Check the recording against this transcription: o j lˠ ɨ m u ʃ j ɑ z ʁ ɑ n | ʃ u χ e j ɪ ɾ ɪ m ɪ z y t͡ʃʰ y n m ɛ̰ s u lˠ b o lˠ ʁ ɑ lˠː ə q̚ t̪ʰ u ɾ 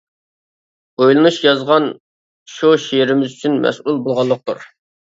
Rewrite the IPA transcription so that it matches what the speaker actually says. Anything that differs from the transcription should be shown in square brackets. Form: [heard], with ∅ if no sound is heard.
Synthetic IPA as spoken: o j lˠ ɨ [n] u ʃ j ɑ z ʁ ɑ n | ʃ u [ʃ] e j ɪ ɾ ɪ m ɪ z y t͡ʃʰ y n m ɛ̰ s u lˠ b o lˠ ʁ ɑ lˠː ə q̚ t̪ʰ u ɾ